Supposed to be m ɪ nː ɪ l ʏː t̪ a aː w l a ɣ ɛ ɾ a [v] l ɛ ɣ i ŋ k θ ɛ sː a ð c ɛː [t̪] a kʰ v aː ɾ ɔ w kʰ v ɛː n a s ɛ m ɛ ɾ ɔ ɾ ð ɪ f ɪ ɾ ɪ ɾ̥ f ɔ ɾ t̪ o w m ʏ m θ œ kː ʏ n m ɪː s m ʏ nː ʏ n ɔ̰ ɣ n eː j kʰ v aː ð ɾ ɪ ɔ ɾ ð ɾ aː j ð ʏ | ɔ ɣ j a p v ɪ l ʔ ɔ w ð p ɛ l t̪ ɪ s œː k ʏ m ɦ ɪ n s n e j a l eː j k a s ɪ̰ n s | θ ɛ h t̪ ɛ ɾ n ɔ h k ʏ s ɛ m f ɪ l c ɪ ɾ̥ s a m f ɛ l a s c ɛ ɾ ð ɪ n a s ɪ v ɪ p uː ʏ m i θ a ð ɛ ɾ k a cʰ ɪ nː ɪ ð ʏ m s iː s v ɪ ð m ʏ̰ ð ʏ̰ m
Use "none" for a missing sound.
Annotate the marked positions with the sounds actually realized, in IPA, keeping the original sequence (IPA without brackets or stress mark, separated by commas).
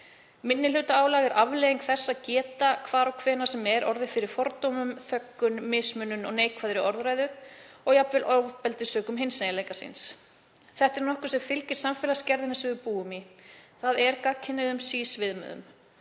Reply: v, t̪